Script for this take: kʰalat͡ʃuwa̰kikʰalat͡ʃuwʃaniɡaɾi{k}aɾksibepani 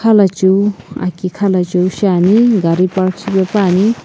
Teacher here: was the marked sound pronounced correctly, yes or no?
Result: no